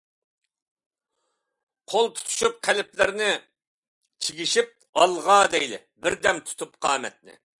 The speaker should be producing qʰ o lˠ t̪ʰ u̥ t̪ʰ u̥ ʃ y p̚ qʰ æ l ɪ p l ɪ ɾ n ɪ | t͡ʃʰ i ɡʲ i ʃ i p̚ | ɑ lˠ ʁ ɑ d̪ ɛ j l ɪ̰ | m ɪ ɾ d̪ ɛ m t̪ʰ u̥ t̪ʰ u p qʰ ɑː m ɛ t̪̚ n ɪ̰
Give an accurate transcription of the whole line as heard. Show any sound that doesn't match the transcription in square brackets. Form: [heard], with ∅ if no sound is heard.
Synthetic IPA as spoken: qʰ o lˠ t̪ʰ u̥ t̪ʰ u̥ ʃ y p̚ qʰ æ l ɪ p l ɪ ɾ n ɪ | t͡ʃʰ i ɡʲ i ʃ i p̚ | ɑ lˠ ʁ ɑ d̪ ɛ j l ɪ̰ | [b] ɪ ɾ d̪ ɛ m t̪ʰ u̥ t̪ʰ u p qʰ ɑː m ɛ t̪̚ n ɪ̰

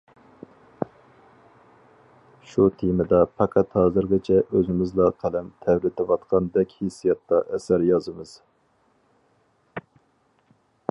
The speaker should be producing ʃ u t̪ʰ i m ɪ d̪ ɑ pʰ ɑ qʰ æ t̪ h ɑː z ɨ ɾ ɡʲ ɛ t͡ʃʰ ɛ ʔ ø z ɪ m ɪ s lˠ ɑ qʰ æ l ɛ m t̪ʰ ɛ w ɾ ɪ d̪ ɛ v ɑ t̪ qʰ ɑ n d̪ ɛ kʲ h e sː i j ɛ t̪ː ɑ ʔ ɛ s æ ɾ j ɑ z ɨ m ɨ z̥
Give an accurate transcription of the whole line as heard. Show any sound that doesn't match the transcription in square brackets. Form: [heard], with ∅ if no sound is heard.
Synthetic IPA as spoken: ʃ u t̪ʰ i m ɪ d̪ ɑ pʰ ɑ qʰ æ t̪ h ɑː z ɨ ɾ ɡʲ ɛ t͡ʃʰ ɛ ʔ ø z ɪ m ɪ [z] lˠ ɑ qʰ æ l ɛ m t̪ʰ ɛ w ɾ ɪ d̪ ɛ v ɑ t̪ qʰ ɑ n d̪ ɛ kʲ h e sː i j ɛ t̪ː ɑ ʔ ɛ s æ ɾ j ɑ z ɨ m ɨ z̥

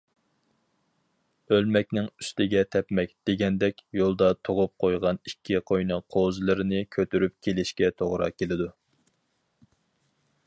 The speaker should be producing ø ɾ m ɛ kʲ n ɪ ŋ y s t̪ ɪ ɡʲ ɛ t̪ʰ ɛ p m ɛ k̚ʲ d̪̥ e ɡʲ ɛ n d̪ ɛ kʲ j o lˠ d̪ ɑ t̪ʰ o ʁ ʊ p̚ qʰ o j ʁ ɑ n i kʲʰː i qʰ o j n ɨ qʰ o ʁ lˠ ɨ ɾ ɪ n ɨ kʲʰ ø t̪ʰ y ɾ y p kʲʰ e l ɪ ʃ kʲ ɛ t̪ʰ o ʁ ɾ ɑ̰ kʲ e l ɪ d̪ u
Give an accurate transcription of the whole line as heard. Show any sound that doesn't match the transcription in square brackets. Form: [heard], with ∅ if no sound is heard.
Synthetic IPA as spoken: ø [l] m ɛ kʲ n ɪ ŋ y s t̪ ɪ ɡʲ ɛ t̪ʰ ɛ p m ɛ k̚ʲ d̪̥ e ɡʲ ɛ n d̪ ɛ kʲ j o lˠ d̪ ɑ t̪ʰ o ʁ ʊ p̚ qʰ o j ʁ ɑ n i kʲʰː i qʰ o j n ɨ qʰ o [z] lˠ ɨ ɾ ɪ n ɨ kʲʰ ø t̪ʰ y ɾ y p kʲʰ e l ɪ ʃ kʲ ɛ t̪ʰ o ʁ ɾ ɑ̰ kʲ e l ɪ d̪ u

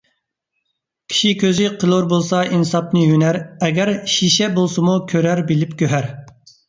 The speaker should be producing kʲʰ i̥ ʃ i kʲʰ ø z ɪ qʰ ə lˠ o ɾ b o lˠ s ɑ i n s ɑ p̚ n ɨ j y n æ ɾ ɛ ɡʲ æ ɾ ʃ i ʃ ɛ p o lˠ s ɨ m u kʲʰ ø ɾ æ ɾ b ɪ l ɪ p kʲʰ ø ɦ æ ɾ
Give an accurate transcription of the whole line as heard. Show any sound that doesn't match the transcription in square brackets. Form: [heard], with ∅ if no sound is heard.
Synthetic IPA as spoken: kʲʰ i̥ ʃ i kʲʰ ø z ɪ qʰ ə lˠ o ɾ b o lˠ s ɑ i n s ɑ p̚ n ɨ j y n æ ɾ ɛ ɡʲ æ ɾ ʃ i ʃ ɛ [b] o lˠ s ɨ m u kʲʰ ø ɾ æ ɾ b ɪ l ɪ p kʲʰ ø ɦ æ ɾ

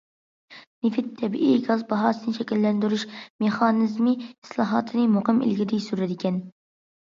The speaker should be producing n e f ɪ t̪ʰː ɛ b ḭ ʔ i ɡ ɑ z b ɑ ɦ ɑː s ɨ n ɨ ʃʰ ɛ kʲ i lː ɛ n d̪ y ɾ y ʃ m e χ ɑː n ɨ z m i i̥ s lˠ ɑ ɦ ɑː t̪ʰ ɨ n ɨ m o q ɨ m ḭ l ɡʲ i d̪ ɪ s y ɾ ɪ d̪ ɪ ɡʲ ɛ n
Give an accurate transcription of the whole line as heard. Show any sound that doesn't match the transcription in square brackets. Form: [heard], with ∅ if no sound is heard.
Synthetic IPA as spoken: n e f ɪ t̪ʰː ɛ b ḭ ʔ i ɡ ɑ z b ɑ ɦ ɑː s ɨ n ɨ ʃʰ ɛ kʲ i lː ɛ n d̪ y ɾ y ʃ m e χ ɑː n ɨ z m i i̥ s lˠ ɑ ɦ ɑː t̪ʰ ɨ n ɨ m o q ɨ m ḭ l ɡʲ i d̪ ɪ s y ɾ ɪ d̪ ɪ [kʲ] ɛ n

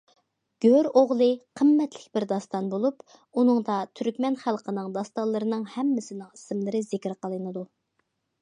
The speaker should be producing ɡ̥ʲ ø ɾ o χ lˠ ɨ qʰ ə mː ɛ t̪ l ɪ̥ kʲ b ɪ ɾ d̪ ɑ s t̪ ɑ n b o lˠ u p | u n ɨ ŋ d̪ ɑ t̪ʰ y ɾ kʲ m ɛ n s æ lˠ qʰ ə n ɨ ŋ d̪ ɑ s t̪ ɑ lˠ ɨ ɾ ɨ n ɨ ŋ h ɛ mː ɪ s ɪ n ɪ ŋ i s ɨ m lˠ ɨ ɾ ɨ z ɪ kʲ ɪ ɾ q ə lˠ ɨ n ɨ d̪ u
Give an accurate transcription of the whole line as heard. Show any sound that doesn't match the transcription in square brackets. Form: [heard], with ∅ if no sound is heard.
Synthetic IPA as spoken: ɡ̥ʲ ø ɾ o [ʁ] lˠ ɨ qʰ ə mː ɛ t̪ l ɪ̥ kʲ b ɪ ɾ d̪ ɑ s t̪ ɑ n b o lˠ u p | u n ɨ ŋ d̪ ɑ t̪ʰ y ɾ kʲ m ɛ n [χ] æ lˠ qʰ ə n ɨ ŋ d̪ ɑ s t̪ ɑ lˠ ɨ ɾ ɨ n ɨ ŋ h ɛ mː ɪ s ɪ n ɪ ŋ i s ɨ m lˠ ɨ ɾ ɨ z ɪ kʲ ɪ ɾ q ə lˠ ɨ n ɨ d̪ u

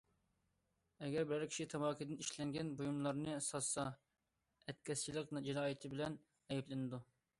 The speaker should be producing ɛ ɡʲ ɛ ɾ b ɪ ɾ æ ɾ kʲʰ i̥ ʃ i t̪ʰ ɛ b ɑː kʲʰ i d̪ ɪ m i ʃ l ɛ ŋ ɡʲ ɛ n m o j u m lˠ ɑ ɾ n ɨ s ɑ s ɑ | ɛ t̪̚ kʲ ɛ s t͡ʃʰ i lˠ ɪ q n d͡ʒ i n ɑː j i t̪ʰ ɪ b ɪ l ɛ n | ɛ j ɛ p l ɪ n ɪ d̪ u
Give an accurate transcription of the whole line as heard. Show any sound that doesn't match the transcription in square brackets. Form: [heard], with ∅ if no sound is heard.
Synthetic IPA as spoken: ɛ ɡʲ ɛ ɾ b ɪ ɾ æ ɾ kʲʰ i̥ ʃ i t̪ʰ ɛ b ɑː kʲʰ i d̪ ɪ [n] i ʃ l ɛ ŋ ɡʲ ɛ n [b] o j u m lˠ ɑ ɾ n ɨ s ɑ s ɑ | ɛ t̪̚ kʲ ɛ s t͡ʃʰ i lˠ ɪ q n d͡ʒ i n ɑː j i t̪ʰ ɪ b ɪ l ɛ n | ɛ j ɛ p l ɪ n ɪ d̪ u

